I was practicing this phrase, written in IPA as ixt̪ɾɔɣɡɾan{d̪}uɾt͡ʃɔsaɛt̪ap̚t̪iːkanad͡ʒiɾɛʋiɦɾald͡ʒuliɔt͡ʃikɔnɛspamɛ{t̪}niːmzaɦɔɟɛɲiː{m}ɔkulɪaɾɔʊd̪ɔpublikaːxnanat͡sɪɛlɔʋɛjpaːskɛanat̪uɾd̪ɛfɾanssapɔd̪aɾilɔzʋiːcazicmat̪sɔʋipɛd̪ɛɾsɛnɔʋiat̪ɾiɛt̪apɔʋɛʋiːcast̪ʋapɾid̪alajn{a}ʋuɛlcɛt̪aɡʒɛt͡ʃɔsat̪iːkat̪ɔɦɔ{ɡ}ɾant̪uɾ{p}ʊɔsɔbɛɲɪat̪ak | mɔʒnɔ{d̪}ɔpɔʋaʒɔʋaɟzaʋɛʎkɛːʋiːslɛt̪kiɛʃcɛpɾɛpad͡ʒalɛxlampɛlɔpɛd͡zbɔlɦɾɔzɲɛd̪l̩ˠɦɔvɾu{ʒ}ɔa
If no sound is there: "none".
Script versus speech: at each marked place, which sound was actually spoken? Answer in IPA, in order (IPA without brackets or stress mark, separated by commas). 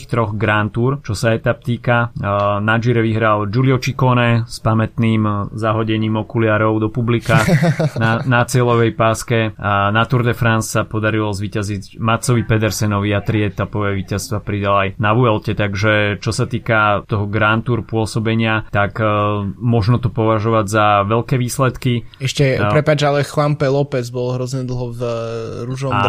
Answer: t̪, t̪, m, a, ɡ, p, t̪, ʒ